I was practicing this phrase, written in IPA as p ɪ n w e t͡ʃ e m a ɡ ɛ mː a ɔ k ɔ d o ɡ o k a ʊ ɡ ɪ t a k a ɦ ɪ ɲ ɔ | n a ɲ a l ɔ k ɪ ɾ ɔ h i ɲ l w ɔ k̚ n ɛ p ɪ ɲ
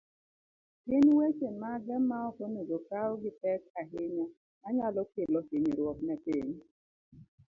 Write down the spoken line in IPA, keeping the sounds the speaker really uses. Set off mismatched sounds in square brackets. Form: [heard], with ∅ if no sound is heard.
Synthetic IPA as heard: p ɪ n w e t͡ʃ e m a ɡ ɛ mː a ɔ k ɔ [n] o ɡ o k a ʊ ɡ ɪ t [ɛ] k a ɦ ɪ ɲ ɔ | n a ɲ a l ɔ k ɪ [l] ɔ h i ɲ [ɾ] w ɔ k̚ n ɛ p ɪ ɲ